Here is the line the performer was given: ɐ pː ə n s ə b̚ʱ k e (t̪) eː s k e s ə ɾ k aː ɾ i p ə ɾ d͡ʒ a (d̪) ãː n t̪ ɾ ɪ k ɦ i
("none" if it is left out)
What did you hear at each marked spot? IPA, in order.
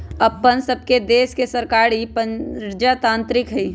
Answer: d̪, t̪

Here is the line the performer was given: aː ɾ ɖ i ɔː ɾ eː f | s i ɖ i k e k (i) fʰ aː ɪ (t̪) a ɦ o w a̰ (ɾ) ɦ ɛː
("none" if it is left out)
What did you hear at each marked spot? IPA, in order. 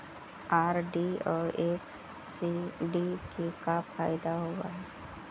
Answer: a, d̪, none

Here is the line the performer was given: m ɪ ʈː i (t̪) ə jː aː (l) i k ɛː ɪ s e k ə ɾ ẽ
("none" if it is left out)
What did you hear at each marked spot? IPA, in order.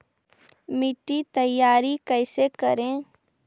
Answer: t̪, ɾ

